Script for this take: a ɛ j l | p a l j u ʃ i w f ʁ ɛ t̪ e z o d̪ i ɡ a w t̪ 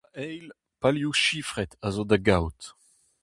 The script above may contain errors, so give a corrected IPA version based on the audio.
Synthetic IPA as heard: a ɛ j l | p a l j u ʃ i f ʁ ɛ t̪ a z o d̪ a ɡ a w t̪